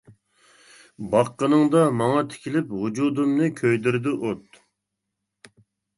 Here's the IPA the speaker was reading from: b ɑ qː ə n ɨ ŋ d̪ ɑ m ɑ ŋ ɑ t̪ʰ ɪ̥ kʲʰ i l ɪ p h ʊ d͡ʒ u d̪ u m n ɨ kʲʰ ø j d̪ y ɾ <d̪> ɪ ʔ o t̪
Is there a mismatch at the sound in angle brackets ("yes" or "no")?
no